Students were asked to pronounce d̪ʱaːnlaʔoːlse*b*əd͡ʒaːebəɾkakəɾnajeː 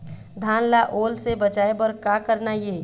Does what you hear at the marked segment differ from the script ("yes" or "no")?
no